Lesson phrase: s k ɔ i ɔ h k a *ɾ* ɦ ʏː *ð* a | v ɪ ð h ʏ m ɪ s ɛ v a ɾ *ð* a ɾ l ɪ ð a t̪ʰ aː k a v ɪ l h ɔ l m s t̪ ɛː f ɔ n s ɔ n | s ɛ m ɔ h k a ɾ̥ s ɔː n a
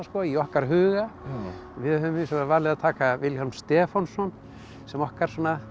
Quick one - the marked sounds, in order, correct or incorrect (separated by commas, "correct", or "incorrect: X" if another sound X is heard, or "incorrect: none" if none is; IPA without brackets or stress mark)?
correct, incorrect: ɣ, incorrect: v